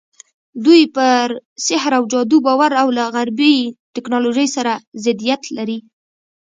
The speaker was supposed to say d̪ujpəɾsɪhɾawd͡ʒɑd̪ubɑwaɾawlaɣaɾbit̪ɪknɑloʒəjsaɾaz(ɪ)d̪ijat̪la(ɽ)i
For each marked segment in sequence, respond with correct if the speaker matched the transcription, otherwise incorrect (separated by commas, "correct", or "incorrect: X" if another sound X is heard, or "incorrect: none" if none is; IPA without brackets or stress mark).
correct, incorrect: ɾ